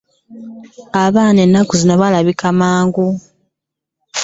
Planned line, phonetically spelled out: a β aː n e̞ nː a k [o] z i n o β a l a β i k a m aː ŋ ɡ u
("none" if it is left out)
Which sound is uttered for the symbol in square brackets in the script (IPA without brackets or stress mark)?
u